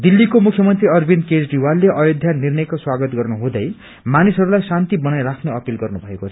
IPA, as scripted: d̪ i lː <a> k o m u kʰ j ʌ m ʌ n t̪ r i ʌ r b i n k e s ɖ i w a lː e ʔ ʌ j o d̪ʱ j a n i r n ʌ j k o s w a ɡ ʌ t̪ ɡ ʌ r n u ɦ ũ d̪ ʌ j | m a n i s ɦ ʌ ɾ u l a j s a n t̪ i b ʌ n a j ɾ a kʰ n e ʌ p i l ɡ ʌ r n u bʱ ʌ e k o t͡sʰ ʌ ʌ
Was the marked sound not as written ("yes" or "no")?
yes